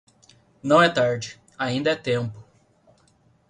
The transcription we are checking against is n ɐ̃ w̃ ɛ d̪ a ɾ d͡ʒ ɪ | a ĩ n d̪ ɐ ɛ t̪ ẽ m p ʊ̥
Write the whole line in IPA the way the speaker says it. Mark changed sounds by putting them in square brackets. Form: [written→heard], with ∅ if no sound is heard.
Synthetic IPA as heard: n ɐ̃ w̃ ɛ [d̪→t̪] a ɾ d͡ʒ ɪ | a ĩ n d̪ ɐ ɛ t̪ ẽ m p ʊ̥